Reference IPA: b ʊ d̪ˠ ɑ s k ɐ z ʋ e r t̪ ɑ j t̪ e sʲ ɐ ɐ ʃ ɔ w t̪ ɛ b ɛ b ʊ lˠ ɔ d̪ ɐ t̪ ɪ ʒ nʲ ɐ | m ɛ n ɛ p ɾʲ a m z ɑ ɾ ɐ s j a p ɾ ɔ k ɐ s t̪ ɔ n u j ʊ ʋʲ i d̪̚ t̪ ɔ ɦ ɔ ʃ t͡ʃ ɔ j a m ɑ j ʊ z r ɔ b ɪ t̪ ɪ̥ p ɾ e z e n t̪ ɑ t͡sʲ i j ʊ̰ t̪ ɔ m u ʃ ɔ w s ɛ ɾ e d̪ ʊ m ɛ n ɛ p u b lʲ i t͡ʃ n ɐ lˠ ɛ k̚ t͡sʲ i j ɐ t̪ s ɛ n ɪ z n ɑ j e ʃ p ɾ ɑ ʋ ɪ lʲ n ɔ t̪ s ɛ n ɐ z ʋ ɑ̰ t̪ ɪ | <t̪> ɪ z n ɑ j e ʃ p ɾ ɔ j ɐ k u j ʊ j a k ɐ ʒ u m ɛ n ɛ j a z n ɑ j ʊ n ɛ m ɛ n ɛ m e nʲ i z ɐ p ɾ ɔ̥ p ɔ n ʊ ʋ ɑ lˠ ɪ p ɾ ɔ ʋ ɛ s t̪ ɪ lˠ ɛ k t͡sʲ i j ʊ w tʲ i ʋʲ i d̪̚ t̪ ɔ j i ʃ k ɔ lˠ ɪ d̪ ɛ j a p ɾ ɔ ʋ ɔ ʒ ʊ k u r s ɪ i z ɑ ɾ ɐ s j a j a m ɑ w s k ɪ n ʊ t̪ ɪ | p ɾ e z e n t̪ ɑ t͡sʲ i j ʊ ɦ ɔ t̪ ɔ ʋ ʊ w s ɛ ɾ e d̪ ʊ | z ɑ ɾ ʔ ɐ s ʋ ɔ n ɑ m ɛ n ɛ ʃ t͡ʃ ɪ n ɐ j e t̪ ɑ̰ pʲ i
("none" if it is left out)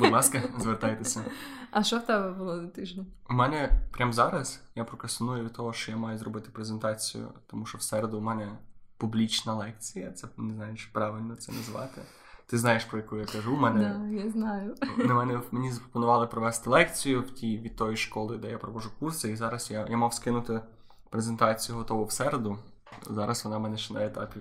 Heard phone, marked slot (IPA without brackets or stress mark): t̪